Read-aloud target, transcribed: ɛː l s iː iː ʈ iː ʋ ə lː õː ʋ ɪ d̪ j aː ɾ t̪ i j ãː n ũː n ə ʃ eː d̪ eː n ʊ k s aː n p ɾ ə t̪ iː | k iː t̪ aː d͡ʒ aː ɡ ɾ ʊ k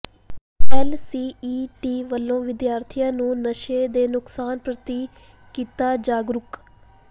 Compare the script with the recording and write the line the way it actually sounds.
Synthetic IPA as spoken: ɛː l s iː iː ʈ iː ʋ ə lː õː ʋ ɪ d̪ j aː ɾ t̪ʰ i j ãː n ũː n ə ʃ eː d̪ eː n ʊ k s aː n p ɾ ə t̪ iː | k iː t̪ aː d͡ʒ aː ɡ ɾ ʊ k

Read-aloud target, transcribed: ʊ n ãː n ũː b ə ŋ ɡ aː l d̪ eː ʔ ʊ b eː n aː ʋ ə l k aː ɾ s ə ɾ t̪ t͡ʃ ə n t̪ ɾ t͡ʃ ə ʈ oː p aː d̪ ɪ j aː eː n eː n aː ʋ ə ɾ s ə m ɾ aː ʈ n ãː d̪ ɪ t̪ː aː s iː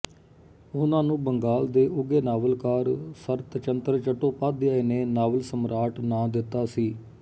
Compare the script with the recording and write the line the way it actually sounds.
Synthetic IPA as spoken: ʊ n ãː n ũː b ə ŋ ɡ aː l d̪ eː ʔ ʊ ɡ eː n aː ʋ ə l k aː ɾ s ə ɾ t̪ t͡ʃ ə n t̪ ɾ t͡ʃ ə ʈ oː p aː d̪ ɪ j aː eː n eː n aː ʋ ə l s ə m ɾ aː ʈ n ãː d̪ ɪ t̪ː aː s iː

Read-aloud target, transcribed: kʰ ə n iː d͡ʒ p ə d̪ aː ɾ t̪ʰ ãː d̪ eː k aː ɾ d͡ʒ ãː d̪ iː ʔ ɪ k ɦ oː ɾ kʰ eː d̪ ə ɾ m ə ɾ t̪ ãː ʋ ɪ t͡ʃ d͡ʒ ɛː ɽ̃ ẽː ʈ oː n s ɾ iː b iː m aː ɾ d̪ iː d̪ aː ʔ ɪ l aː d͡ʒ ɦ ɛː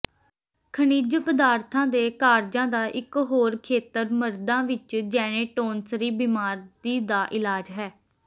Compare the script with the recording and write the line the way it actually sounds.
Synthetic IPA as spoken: kʰ ə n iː d͡ʒ p ə d̪ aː ɾ t̪ʰ ãː d̪ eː k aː ɾ d͡ʒ ãː d̪ aː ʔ ɪ k ɦ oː ɾ kʰ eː t̪ ə ɾ m ə ɾ d̪ ãː ʋ ɪ t͡ʃ d͡ʒ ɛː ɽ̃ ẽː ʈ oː n s ɾ iː b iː m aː ɾ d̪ iː d̪ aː ʔ ɪ l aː d͡ʒ ɦ ɛː

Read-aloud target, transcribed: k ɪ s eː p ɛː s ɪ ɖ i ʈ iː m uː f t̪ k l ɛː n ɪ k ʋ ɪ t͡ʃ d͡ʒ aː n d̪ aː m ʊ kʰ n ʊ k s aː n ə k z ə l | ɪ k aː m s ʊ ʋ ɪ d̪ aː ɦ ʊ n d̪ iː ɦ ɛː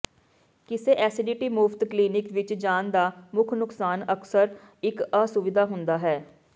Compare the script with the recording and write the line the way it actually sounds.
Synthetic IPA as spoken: k ɪ s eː ʔ ɛː s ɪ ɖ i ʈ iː m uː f t̪ k l iː n ɪ k ʋ ɪ t͡ʃ d͡ʒ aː n d̪ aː m ʊ kʰ n ʊ k s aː n ə k s ə ɾ | ɪ k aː s ʊ ʋ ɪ d̪ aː ɦ ʊ n d̪ aː ɦ ɛː

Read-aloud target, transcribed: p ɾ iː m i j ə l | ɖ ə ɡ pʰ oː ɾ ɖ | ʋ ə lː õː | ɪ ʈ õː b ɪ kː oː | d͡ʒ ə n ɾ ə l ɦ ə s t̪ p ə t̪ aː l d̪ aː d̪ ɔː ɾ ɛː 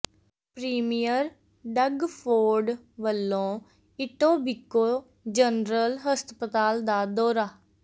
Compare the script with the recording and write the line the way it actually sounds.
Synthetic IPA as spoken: p ɾ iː m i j ə ɾ | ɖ ə ɡ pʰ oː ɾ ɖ | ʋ ə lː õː | ɪ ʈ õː b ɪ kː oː | d͡ʒ ə n ɾ ə l ɦ ə s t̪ p ə t̪ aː l d̪ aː d̪ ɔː ɾ aː

